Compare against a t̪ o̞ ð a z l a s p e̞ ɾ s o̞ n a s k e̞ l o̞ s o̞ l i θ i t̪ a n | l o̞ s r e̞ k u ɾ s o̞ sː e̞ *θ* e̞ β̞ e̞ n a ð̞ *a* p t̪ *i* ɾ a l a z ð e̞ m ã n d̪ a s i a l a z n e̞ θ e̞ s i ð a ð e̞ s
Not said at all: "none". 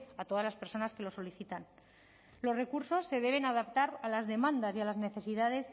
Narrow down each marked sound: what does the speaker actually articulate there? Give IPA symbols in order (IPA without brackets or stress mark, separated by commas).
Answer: ð, a, a